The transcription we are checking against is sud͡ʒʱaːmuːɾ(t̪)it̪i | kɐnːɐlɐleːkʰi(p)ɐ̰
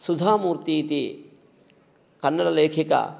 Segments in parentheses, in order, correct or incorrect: correct, incorrect: k

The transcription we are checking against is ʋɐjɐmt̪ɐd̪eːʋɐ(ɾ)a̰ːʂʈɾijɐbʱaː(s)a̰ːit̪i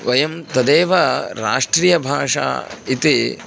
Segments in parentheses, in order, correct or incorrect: correct, incorrect: ʂ

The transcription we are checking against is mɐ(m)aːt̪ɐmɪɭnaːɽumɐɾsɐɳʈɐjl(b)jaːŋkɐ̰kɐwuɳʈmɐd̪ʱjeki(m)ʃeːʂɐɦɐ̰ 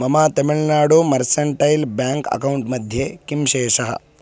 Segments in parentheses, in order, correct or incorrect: correct, correct, correct

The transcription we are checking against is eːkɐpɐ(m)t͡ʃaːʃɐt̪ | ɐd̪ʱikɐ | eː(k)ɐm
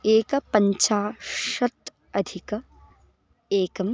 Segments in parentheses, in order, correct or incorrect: incorrect: ɲ, correct

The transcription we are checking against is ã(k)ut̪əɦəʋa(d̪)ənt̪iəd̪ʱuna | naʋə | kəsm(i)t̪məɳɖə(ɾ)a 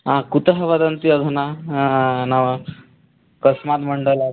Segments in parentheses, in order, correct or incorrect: correct, correct, incorrect: a, incorrect: l

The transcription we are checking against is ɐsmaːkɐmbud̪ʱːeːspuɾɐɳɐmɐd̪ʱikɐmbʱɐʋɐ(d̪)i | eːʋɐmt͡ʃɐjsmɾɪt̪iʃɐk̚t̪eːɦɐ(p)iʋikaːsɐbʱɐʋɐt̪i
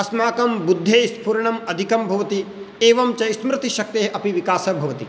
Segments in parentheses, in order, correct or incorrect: incorrect: t̪, correct

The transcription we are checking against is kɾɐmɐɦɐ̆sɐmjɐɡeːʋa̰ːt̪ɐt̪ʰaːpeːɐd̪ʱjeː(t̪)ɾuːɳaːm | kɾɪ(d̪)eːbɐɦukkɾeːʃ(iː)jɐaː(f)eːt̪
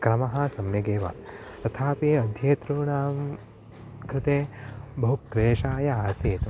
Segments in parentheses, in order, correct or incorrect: correct, incorrect: t̪, incorrect: aː, incorrect: s

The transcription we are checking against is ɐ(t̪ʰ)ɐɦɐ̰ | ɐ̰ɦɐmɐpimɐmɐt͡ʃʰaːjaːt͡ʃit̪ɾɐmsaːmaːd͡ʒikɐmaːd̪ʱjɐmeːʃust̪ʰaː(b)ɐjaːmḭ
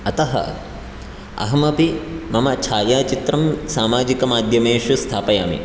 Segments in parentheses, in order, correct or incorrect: incorrect: t̪, incorrect: p

